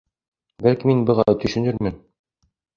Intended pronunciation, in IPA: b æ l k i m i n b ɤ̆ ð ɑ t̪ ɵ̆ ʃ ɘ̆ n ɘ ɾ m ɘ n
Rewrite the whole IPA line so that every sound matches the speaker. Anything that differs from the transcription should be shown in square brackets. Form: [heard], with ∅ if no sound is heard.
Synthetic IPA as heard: b æ l k i m i n b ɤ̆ [ʁ] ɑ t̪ ɵ̆ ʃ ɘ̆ n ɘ ɾ m ɘ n